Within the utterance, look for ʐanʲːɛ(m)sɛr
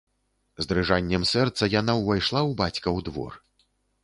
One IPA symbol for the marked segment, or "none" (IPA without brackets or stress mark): m